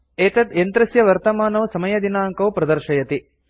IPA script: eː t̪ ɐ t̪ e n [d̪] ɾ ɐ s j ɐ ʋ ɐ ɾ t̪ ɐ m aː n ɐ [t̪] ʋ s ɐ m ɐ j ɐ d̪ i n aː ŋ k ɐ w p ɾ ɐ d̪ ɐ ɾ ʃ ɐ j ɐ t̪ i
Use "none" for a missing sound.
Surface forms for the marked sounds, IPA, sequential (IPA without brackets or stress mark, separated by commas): t̪, none